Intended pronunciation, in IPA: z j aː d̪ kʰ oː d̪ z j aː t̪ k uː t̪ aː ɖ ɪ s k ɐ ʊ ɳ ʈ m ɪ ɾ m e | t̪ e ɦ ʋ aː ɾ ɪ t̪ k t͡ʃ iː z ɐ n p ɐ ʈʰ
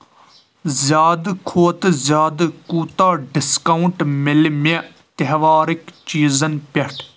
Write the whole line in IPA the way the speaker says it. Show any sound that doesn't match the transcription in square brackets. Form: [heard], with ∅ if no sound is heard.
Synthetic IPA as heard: z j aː d̪ kʰ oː [t̪] z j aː [d̪] k uː t̪ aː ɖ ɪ s k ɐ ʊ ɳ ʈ m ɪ [l] m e | t̪ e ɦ ʋ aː ɾ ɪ [∅] k t͡ʃ iː z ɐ n p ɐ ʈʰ